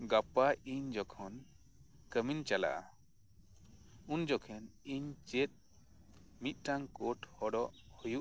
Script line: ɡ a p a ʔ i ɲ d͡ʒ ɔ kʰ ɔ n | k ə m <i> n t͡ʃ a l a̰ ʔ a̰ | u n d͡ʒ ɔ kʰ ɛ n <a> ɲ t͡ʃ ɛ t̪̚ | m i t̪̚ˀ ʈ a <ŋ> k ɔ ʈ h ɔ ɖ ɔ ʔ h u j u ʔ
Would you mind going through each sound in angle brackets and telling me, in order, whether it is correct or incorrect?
correct, incorrect: i, correct

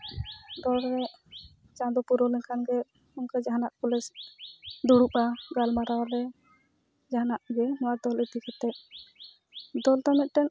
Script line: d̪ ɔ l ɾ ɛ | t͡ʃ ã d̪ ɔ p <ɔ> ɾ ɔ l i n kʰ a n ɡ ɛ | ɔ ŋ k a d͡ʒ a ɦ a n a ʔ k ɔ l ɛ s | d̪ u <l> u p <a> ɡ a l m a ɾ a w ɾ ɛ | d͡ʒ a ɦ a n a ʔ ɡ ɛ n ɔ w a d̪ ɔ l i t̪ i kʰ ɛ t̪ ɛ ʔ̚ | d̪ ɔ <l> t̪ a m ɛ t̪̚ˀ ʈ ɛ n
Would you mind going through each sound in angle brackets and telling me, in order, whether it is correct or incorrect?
incorrect: u, incorrect: ɽ, correct, correct

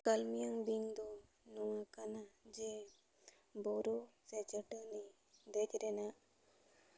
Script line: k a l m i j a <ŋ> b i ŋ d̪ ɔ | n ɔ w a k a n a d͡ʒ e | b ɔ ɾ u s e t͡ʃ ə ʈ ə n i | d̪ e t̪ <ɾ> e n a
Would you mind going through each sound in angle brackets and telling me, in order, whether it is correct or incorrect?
correct, correct

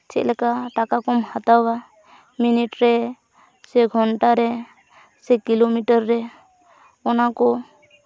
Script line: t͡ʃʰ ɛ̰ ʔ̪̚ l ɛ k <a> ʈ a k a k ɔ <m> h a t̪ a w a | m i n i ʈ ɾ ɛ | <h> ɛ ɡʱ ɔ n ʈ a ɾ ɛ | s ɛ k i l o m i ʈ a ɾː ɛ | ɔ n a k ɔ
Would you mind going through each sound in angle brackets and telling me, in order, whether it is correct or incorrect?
correct, correct, incorrect: s

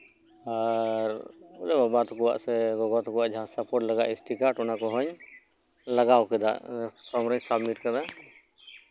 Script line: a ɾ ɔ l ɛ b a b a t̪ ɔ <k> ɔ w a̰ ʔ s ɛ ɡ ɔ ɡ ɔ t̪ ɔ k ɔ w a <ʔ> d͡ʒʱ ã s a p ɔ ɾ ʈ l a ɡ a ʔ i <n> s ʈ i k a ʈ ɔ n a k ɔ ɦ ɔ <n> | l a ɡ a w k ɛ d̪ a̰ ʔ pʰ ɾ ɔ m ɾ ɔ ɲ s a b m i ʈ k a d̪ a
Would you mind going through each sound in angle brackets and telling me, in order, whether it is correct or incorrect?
correct, correct, incorrect: none, incorrect: ɲ

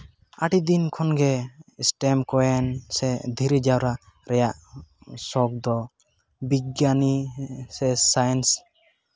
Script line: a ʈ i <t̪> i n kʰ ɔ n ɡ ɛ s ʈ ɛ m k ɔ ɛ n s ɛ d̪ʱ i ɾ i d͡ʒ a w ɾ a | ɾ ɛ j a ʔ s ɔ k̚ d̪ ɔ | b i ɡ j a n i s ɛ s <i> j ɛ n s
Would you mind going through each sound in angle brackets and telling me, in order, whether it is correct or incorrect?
incorrect: d̪, incorrect: a

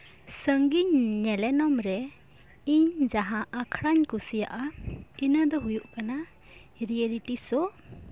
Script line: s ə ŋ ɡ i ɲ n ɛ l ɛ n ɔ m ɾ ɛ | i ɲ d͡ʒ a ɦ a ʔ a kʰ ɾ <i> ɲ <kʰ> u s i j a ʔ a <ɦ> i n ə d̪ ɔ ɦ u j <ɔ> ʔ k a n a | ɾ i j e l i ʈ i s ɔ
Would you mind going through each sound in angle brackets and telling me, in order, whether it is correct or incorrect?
incorrect: a, incorrect: k, incorrect: none, incorrect: u

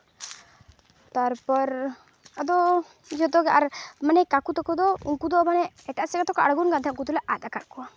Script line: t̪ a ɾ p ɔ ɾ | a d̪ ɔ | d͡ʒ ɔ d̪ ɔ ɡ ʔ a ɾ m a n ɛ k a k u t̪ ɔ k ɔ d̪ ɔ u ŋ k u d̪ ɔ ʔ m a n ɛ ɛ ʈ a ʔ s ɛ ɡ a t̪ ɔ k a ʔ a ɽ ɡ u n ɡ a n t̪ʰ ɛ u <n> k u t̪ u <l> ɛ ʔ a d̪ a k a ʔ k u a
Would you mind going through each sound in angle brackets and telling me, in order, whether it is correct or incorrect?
incorrect: ŋ, correct

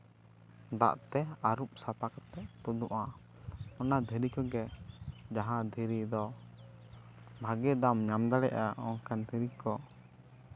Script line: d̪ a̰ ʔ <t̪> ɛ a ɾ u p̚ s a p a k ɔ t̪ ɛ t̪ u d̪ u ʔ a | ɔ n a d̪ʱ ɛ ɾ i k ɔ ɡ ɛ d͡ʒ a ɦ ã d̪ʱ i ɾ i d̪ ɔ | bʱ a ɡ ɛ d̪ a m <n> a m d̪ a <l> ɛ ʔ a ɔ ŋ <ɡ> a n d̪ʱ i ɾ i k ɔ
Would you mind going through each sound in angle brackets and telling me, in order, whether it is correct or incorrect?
correct, incorrect: ɲ, incorrect: ɽ, incorrect: k

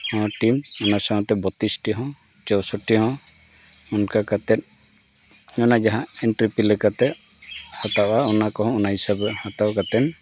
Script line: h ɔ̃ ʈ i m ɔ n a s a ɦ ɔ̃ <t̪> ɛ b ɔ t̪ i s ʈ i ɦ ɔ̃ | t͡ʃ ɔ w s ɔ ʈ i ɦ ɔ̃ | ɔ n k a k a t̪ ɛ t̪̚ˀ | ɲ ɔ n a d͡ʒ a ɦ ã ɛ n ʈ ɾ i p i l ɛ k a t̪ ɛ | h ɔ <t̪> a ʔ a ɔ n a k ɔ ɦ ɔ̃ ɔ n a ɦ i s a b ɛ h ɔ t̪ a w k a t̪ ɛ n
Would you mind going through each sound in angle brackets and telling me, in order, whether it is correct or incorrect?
correct, correct

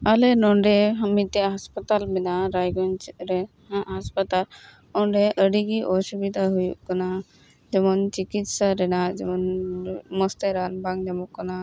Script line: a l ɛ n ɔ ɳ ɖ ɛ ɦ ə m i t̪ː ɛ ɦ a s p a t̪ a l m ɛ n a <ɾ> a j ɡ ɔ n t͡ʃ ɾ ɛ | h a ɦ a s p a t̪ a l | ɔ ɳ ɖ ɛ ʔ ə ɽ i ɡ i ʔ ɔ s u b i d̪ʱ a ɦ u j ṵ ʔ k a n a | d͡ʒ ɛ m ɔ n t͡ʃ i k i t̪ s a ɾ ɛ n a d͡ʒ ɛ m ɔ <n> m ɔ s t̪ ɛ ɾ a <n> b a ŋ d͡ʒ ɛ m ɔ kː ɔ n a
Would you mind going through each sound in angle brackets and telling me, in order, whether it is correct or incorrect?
correct, correct, correct

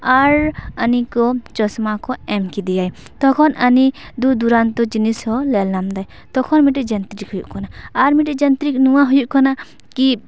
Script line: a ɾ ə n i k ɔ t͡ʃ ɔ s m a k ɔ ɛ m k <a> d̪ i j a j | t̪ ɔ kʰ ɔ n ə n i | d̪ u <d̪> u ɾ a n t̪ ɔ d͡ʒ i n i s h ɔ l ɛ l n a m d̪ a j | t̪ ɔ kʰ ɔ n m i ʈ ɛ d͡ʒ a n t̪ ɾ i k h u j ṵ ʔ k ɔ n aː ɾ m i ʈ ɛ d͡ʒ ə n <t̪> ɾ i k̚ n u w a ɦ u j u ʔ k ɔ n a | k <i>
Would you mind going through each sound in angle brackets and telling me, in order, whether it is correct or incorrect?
incorrect: i, correct, correct, correct

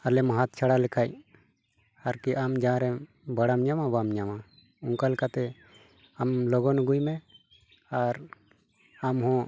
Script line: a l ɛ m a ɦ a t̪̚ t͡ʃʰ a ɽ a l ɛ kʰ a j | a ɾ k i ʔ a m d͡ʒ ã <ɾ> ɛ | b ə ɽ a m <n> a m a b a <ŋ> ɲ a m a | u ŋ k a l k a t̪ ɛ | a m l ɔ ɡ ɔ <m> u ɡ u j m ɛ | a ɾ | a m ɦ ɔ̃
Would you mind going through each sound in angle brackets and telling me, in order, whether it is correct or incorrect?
correct, incorrect: ɲ, incorrect: m, incorrect: n

